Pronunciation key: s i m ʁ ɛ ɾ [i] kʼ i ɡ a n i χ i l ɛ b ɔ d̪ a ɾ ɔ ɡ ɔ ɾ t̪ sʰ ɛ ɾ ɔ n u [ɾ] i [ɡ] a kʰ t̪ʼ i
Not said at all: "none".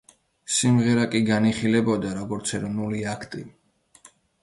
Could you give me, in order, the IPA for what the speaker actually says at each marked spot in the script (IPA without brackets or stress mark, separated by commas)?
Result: a, l, none